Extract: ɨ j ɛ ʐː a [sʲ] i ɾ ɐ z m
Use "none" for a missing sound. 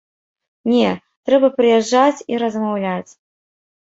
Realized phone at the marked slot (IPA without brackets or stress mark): t͡sʲ